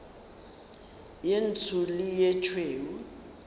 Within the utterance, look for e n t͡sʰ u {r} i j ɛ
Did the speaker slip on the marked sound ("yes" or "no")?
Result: yes